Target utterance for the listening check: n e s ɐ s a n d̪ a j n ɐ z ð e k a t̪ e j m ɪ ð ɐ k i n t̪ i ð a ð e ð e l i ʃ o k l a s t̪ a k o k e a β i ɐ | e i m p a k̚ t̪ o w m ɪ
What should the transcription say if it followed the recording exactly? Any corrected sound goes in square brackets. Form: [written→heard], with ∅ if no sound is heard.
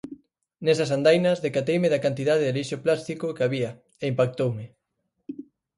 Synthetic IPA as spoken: n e s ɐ s a n d̪ a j n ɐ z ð e k a t̪ e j m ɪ ð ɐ k [i→a] n t̪ i ð a ð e ð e l i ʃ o [k→p] l a s t̪ [a→i] k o k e a β i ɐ | e i m p a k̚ t̪ o w m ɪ